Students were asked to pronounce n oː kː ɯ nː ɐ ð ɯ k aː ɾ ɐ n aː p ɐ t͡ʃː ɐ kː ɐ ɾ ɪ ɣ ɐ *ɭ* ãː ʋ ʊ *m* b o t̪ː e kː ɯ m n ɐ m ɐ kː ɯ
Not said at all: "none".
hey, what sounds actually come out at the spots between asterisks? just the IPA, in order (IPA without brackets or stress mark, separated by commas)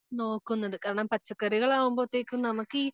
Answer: ɭ, m